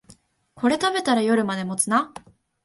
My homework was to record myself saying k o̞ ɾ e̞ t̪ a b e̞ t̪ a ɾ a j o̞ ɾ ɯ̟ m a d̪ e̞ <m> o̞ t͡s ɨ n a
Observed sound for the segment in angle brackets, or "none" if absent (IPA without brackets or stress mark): m